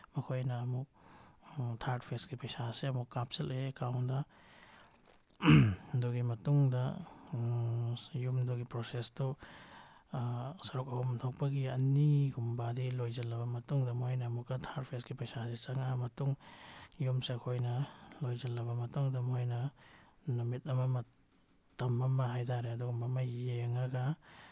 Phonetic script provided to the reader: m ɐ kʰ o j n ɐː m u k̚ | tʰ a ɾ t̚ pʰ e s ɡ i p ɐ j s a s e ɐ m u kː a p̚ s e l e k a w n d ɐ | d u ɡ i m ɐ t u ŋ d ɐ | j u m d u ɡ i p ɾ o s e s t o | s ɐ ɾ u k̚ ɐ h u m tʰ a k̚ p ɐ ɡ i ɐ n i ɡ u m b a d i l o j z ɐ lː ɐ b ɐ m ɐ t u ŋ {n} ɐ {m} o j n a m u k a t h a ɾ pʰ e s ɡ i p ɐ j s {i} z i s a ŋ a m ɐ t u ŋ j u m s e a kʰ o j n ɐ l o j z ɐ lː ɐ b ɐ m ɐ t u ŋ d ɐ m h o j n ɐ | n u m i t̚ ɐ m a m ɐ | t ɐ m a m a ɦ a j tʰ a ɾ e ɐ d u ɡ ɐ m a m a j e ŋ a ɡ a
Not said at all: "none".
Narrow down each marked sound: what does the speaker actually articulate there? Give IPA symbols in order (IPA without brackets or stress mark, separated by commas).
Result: d, m, a